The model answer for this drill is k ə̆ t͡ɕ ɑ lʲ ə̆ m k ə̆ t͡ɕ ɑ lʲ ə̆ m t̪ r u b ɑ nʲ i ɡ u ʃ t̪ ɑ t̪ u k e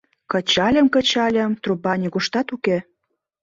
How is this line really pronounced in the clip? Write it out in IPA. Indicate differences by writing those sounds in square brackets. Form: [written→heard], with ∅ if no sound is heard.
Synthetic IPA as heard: k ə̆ t͡ɕ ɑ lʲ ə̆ m k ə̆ t͡ɕ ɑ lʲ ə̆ m t̪ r u b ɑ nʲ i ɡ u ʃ t̪ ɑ t̪ u k e